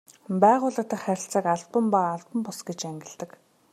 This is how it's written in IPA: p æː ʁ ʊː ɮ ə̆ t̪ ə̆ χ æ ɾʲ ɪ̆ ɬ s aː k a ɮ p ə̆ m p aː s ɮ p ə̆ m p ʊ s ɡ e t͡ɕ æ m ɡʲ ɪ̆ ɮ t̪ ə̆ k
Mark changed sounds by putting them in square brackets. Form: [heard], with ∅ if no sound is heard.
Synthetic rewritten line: p æː ʁ ʊː ɮ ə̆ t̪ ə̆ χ æ ɾʲ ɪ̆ ɬ [t͡s] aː k a ɮ p ə̆ m p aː [∅] ɮ p ə̆ m p ʊ s ɡ e t͡ɕ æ [ŋ] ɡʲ ɪ̆ ɮ t̪ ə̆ k